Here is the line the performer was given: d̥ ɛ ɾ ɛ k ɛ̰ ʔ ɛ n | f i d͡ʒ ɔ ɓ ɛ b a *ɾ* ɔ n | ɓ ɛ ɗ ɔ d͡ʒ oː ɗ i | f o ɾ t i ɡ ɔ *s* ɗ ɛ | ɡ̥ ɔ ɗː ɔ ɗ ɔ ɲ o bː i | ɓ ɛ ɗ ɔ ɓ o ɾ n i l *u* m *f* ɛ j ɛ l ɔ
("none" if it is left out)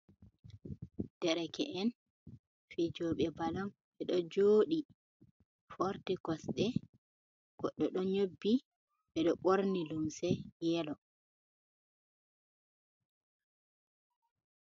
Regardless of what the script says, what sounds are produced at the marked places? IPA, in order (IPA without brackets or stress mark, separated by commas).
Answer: l, s, u, s